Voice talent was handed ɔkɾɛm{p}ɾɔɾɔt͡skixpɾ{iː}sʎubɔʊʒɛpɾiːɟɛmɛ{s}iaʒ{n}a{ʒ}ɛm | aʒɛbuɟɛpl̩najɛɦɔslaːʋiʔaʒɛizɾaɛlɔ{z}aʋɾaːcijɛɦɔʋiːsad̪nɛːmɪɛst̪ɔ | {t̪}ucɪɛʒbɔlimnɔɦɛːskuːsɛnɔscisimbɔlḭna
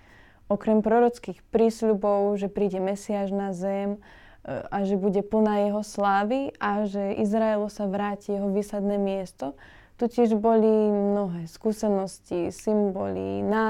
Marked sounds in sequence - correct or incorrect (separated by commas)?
correct, correct, correct, correct, incorrect, incorrect, correct